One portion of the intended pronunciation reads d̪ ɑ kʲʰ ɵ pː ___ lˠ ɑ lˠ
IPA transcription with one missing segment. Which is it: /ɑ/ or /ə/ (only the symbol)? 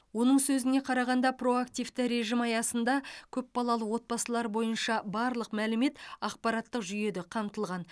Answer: ɑ